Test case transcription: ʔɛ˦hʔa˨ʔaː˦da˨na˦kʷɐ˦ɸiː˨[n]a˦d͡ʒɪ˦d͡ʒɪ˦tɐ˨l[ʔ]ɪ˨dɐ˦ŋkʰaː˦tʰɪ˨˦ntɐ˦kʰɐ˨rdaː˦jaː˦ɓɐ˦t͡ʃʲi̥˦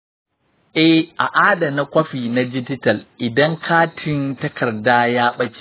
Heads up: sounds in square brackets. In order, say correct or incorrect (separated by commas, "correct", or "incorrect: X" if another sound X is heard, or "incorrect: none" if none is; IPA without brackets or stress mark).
correct, correct